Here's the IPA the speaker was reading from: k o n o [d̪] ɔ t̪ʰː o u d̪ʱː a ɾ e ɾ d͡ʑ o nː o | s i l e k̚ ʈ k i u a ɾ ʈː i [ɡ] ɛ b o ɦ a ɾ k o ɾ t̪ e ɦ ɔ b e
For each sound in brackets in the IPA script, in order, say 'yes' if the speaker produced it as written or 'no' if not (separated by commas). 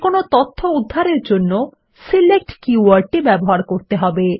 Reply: no, no